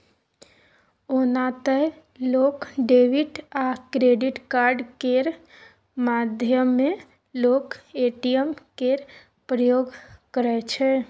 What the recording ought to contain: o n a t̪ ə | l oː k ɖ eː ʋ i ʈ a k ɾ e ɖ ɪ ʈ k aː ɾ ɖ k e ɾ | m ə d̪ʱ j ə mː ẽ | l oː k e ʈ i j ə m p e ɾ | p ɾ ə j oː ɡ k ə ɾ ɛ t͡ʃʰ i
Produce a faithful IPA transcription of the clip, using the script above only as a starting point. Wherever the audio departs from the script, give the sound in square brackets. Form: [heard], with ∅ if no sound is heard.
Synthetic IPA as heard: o n a t̪ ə | l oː k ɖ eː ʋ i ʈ a k ɾ e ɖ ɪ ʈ k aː ɾ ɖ k e ɾ | m [a] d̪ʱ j ə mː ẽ | l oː k e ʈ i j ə m [k] e ɾ | p ɾ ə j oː ɡ k ə ɾ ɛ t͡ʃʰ [ɛ]